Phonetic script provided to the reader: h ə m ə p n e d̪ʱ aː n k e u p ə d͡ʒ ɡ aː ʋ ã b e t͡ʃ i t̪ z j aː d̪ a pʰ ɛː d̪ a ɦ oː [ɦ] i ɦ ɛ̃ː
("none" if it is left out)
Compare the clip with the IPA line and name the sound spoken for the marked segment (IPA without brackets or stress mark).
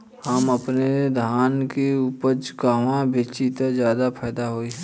none